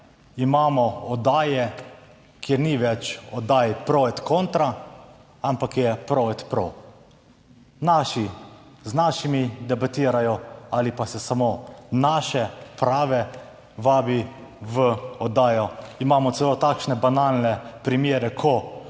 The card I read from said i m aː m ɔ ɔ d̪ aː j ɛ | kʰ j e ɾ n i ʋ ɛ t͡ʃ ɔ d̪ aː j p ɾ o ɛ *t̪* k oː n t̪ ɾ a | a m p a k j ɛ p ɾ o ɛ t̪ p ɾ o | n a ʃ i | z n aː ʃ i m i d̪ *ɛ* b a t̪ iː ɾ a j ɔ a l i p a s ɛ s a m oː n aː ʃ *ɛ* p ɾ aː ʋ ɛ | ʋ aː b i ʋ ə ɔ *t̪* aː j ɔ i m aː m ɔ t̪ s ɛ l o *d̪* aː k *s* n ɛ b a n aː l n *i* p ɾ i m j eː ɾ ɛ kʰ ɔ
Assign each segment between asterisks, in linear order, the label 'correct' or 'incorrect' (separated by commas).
correct, correct, correct, incorrect, incorrect, incorrect, incorrect